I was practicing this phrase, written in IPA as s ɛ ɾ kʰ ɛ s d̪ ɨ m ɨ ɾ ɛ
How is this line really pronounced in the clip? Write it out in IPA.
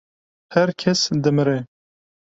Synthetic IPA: h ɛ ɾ kʰ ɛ s d̪ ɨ m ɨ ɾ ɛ